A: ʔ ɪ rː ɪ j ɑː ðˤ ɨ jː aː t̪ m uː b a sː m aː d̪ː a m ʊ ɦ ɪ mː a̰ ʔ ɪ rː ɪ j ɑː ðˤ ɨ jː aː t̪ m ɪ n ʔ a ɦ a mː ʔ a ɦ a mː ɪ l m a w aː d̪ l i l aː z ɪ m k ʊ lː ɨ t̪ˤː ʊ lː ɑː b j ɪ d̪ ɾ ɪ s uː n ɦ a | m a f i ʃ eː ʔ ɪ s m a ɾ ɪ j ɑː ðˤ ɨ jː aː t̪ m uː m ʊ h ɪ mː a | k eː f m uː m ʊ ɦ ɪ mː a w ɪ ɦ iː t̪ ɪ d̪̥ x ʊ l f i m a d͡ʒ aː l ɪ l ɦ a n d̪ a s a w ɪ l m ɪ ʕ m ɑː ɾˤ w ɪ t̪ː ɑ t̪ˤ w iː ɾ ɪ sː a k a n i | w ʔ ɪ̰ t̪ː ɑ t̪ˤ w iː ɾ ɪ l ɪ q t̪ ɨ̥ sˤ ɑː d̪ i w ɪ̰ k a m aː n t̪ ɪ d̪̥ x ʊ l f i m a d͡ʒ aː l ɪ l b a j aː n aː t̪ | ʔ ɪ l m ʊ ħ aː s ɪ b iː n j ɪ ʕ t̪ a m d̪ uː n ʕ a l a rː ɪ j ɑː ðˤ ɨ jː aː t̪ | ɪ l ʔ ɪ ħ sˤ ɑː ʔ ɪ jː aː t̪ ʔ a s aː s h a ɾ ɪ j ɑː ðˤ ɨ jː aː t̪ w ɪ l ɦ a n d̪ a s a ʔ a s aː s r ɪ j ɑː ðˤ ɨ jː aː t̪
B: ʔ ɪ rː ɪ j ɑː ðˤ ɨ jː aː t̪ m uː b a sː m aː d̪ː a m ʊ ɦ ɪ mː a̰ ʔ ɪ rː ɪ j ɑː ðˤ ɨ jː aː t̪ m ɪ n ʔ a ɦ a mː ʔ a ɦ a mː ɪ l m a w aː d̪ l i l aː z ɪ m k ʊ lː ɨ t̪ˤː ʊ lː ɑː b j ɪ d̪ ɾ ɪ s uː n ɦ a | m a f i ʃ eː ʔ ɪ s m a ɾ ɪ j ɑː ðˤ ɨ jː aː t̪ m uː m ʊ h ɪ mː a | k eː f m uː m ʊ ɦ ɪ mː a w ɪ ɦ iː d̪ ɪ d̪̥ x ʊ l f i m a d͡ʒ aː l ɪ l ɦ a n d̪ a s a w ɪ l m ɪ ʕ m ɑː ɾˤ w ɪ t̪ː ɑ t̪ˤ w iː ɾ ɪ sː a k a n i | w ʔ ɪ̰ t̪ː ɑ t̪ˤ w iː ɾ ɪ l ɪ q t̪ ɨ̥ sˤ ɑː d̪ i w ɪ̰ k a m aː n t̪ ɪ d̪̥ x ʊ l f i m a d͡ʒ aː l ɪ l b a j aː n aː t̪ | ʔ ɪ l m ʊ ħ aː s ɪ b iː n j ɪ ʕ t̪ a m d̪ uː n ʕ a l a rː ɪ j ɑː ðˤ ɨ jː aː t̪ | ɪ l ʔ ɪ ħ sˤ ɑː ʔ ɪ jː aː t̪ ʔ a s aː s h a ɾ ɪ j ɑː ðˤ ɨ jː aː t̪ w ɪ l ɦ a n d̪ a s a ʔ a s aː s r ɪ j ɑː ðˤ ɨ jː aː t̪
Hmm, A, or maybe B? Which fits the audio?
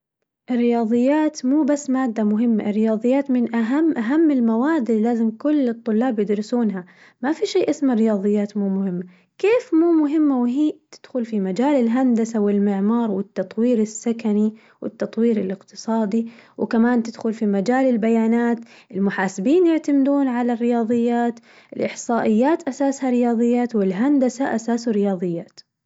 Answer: A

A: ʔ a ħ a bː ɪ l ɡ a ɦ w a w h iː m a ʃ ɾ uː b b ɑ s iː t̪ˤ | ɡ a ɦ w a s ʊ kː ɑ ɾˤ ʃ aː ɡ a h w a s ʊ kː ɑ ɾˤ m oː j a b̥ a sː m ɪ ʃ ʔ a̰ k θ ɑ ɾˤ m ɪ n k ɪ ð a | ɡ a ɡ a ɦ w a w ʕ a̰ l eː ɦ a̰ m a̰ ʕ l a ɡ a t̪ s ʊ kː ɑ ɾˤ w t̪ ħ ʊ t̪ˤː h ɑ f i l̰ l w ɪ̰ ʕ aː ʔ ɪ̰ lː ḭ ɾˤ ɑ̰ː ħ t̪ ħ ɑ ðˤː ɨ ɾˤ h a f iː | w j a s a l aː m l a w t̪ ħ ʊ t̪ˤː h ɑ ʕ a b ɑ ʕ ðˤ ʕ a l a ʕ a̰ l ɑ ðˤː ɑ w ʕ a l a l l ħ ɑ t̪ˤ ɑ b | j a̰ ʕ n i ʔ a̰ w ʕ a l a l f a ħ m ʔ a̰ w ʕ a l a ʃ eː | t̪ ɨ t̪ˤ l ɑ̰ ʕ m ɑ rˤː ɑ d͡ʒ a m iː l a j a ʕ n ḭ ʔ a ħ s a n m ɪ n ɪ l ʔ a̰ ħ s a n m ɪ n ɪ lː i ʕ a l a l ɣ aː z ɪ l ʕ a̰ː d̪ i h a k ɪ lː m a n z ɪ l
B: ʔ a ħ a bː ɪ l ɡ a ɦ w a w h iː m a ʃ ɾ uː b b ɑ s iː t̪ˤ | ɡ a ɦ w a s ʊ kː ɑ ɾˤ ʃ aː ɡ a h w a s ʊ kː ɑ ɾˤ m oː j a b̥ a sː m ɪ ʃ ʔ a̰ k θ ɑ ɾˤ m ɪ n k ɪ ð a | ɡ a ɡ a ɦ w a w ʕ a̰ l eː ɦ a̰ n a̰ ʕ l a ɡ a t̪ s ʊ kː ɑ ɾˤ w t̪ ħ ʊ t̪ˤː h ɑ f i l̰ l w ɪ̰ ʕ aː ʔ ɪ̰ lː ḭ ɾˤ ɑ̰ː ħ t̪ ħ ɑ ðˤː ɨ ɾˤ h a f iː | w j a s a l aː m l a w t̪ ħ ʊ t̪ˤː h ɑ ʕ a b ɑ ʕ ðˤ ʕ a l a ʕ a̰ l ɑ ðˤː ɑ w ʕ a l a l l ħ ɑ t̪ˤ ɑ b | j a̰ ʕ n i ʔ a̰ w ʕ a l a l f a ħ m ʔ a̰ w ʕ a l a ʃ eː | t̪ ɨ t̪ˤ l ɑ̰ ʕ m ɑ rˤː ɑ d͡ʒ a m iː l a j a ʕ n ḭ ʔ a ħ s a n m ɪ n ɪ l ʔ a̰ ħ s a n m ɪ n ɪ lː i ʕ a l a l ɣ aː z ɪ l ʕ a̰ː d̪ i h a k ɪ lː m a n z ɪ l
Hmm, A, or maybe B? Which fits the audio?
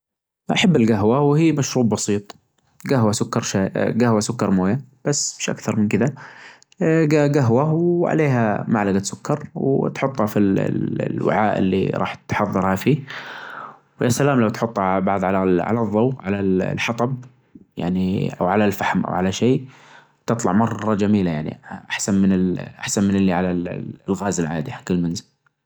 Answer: A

